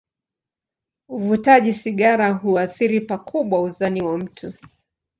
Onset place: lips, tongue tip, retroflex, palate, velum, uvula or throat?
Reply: lips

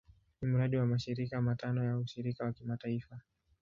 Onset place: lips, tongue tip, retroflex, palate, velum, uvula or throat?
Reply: tongue tip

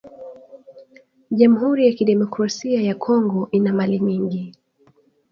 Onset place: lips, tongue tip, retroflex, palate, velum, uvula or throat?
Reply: palate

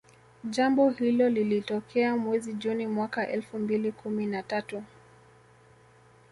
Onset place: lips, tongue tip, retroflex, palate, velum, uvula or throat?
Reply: palate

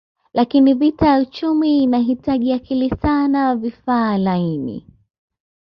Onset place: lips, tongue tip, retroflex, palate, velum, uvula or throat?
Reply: tongue tip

